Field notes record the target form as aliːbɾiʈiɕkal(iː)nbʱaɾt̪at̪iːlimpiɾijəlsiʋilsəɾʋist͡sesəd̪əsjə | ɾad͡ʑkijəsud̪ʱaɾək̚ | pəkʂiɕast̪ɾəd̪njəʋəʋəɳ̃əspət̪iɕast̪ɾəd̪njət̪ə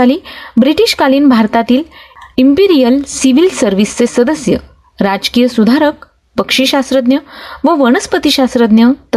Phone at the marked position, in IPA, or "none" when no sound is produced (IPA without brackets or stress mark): iː